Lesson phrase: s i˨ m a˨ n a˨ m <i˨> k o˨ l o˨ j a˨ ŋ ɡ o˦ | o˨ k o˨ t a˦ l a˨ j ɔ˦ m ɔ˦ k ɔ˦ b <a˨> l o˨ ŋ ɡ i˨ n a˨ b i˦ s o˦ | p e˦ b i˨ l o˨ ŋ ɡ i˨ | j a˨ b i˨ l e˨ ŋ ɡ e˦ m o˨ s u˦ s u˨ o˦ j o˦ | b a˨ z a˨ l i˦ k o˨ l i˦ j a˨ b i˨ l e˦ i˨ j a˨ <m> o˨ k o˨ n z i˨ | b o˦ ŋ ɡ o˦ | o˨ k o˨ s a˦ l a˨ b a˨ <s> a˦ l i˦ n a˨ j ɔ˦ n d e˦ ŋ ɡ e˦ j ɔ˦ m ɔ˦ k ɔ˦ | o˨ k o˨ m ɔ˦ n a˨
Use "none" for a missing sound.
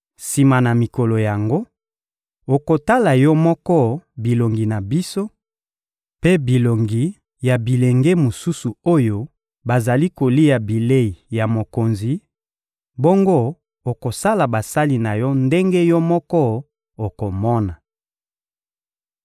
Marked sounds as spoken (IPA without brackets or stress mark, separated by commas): i˨, i˨, m, s